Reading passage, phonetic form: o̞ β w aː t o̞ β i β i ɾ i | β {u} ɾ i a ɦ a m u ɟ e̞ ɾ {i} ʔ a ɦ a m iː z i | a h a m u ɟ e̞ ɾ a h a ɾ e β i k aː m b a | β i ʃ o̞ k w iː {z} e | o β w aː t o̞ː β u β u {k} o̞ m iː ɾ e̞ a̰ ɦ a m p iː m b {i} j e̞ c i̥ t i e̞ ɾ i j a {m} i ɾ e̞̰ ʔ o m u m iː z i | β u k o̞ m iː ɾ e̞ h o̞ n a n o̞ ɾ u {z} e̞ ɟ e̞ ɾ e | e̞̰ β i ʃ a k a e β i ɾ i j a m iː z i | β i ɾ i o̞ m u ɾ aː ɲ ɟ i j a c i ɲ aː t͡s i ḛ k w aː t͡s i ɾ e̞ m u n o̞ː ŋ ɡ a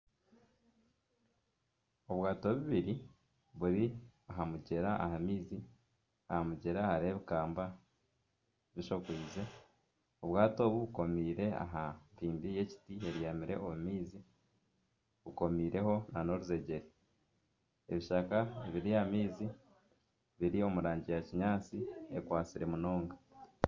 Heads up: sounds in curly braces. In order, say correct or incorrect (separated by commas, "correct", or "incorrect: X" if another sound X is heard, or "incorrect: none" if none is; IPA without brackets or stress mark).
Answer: correct, incorrect: a, correct, correct, correct, correct, correct